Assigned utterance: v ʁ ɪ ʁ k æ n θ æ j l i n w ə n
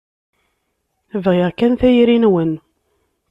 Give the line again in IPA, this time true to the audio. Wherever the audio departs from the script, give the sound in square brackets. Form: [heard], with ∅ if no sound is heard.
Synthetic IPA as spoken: v ʁ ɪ ʁ k æ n θ æ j [ɾ] i n w ə n